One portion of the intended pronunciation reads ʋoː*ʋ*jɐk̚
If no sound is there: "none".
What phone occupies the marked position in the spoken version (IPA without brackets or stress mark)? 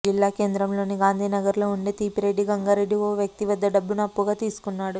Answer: ʋ